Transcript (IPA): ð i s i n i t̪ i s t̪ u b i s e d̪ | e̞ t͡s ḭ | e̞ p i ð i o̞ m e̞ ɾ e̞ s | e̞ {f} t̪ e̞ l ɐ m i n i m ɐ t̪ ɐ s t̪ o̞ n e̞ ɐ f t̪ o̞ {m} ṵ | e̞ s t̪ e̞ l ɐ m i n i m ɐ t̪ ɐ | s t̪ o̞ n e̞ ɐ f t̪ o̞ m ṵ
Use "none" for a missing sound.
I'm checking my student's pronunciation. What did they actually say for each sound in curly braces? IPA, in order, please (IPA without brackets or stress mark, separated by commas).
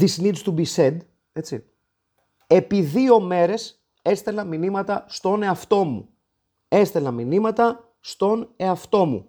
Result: s, m